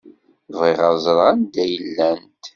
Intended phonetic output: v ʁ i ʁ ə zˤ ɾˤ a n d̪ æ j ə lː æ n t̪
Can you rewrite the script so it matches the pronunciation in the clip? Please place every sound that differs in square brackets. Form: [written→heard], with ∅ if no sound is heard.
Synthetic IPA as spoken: v ʁ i ʁ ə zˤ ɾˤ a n d̪ æ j ə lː æ n t̪

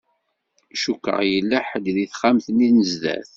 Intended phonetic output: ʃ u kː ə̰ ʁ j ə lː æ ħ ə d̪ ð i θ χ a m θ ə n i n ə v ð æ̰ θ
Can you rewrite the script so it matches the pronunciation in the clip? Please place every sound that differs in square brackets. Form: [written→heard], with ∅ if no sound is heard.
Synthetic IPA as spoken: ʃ u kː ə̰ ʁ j ə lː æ ħ ə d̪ ð i θ χ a m θ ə n i n ə [v→z] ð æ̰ θ

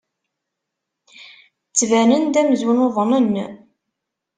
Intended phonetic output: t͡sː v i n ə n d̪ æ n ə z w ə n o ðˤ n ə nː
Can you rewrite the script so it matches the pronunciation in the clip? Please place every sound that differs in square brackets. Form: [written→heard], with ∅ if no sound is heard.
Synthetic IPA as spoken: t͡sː v [i→æ] n ə n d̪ æ [n→m] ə z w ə n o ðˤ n ə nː

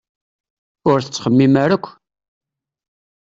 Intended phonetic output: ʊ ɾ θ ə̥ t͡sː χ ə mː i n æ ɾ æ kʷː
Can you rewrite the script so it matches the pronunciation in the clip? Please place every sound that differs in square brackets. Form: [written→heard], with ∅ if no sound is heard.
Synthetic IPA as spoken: ʊ ɾ θ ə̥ t͡sː χ ə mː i [n→m] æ ɾ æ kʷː

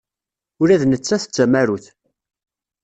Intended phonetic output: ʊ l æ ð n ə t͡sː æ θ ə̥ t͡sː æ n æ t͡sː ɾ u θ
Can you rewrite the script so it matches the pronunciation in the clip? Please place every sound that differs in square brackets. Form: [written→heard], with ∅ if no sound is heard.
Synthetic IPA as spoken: ʊ [l→ɾ] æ ð n ə t͡sː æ θ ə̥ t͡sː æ [n→m] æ [t͡sː→∅] ɾ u θ

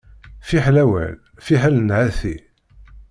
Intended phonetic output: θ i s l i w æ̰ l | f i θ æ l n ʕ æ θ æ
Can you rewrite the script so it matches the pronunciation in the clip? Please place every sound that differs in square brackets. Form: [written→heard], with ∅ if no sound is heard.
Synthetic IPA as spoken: [θ→f] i [s→ħ] l [i→æ] w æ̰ l | f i [θ→ħ] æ l n ʕ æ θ [æ→i]

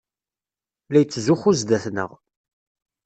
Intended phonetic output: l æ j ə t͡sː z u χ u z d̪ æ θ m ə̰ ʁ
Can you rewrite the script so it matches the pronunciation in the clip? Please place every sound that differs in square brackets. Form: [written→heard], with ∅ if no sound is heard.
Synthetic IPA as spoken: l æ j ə t͡sː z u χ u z d̪ æ θ [m→n] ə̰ ʁ

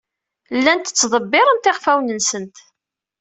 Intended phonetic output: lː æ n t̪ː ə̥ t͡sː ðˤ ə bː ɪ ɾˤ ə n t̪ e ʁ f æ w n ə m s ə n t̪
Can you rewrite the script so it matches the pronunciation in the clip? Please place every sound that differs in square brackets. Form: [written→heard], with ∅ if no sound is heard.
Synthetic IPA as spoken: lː æ n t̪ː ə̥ t͡sː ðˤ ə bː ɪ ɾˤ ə n t̪ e ʁ f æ w n ə [m→n] s ə n t̪

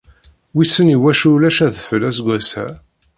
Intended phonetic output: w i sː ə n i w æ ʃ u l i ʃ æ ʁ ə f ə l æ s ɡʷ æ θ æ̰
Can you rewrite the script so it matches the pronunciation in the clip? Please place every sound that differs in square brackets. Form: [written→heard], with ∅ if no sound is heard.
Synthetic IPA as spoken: w i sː ə n i w æ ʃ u l [i→æ] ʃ æ [ʁ→ð] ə f ə l æ s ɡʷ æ [θ→s] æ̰

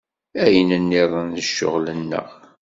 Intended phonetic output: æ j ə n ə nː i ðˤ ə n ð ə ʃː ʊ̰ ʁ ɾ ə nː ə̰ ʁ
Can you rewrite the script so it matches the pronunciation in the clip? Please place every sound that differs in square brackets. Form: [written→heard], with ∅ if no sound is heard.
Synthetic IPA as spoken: æ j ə n ə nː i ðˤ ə n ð ə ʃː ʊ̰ ʁ [ɾ→l] ə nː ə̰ ʁ

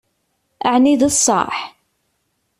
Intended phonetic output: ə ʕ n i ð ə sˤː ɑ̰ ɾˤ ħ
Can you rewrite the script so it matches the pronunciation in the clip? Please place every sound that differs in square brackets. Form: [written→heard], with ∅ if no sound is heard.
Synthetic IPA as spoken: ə ʕ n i ð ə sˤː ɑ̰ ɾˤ ħ

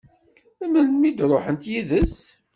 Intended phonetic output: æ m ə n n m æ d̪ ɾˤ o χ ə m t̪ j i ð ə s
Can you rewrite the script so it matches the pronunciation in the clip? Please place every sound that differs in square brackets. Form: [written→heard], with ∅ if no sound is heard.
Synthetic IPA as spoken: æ m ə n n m [æ→i] d̪ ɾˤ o [χ→ħ] ə [m→n] t̪ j i ð ə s

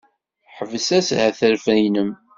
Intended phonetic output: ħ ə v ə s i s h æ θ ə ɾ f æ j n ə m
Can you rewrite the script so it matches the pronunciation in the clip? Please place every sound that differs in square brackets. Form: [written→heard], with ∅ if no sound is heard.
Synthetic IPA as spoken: ħ ə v ə s [i→æ] s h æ θ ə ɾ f æ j n ə m

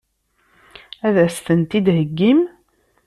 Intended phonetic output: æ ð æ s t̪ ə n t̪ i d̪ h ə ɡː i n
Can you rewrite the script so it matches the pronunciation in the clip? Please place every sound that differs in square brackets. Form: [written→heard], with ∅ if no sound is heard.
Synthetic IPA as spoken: æ ð æ s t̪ ə n t̪ i d̪ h ə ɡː i [n→m]

